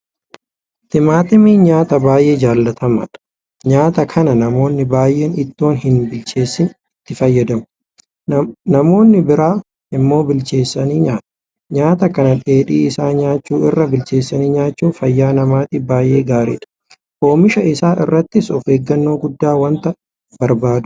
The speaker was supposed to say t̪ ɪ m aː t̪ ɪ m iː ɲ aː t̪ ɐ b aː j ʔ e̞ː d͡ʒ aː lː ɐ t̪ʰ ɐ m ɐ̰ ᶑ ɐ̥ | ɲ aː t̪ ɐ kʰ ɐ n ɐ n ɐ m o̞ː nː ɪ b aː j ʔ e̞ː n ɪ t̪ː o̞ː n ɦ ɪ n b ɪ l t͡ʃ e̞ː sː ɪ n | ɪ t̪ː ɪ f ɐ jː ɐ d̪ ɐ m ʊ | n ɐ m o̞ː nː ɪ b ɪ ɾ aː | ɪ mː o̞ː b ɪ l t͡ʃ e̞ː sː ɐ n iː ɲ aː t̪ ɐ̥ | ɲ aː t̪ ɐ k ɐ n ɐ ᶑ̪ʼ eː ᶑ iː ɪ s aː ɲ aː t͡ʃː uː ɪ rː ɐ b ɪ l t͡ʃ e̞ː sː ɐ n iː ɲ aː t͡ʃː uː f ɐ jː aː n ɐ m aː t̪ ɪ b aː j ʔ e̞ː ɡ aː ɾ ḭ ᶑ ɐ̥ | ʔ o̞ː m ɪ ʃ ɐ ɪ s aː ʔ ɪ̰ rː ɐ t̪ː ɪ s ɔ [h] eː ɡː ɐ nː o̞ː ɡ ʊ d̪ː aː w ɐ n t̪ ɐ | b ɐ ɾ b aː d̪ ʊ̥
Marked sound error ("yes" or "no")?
yes